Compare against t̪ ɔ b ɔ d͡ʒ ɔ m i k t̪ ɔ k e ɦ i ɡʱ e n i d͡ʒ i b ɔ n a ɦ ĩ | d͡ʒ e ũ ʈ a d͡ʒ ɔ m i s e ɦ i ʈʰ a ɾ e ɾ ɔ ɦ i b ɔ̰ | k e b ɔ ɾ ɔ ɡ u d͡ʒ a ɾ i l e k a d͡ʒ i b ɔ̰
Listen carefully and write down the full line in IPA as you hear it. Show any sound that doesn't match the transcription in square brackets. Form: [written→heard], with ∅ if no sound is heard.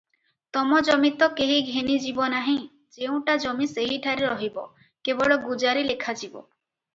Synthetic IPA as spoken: t̪ ɔ [b→m] ɔ d͡ʒ ɔ m i [k→∅] t̪ ɔ k e ɦ i ɡʱ e n i d͡ʒ i b ɔ n a ɦ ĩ | d͡ʒ e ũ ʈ a d͡ʒ ɔ m i s e ɦ i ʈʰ a ɾ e ɾ ɔ ɦ i b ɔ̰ | k e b ɔ [ɾ→ɭ] ɔ ɡ u d͡ʒ a ɾ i l e [k→kʰ] a d͡ʒ i b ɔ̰